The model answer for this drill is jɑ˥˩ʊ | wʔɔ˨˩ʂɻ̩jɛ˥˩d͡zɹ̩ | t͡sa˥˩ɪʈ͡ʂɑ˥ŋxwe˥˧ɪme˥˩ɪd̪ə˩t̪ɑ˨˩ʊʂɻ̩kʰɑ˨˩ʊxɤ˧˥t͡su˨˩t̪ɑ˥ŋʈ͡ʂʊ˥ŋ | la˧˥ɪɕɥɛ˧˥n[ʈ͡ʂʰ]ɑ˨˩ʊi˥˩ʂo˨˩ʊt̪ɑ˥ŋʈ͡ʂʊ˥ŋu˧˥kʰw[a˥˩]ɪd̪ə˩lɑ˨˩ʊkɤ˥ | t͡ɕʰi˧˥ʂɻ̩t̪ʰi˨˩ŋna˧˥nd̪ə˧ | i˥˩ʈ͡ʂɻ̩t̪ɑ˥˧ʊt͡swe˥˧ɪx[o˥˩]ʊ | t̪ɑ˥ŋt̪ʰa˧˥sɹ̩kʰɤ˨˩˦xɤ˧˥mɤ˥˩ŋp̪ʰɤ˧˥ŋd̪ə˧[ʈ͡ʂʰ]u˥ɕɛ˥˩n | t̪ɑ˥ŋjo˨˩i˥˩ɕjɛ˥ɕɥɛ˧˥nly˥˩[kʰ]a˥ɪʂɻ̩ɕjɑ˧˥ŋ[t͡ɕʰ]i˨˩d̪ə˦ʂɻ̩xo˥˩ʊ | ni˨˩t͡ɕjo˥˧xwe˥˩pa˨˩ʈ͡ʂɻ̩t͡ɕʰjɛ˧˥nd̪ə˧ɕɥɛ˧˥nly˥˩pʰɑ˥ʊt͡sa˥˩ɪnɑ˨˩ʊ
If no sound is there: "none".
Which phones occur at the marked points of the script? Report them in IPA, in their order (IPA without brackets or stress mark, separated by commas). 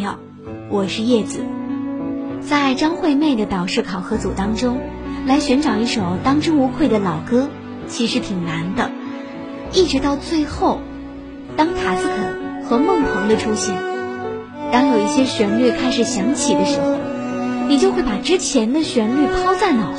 ʈ͡ʂ, e˥˩, o˥˩, ʈ͡ʂʰ, kʰ, t͡ɕʰ